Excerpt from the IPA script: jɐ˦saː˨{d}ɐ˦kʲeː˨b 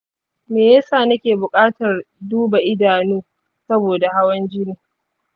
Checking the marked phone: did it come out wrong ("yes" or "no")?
yes